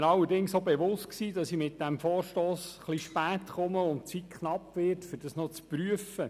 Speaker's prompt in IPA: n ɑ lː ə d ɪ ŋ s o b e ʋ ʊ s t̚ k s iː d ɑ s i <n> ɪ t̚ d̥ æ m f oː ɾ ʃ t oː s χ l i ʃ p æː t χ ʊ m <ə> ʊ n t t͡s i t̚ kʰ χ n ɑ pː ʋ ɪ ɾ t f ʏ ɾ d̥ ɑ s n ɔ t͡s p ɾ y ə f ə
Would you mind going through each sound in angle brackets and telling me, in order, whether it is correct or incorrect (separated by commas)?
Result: incorrect, correct